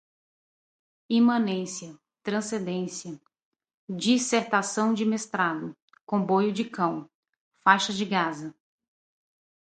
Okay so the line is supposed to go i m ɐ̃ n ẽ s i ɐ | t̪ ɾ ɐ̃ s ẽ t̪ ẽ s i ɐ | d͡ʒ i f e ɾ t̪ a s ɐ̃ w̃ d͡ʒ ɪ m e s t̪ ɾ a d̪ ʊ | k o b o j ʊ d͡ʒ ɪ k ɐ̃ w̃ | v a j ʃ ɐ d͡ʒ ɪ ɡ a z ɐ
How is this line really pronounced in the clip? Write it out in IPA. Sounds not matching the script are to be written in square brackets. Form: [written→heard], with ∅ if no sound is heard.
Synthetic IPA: i m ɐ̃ n ẽ s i ɐ | t̪ ɾ ɐ̃ s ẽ [t̪→d̪] ẽ s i ɐ | d͡ʒ i [f→s] e ɾ t̪ a s ɐ̃ w̃ d͡ʒ ɪ m e s t̪ ɾ a d̪ ʊ | k [o→õ] b o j ʊ d͡ʒ ɪ k ɐ̃ w̃ | [v→f] a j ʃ ɐ d͡ʒ ɪ ɡ a z ɐ